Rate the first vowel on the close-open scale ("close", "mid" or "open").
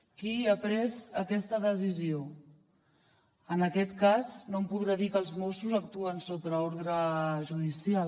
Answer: close